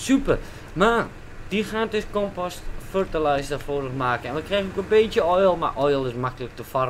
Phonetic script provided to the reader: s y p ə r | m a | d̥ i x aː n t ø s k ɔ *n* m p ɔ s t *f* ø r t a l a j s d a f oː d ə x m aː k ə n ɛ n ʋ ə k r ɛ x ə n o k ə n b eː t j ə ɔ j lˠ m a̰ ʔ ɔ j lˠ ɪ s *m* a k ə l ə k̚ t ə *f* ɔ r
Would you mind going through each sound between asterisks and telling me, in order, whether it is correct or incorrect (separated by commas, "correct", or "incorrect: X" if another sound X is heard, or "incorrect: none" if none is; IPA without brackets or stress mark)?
incorrect: none, correct, correct, correct